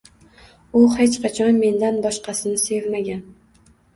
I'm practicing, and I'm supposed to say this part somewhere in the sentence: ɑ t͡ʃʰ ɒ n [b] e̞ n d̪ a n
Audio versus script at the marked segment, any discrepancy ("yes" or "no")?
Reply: yes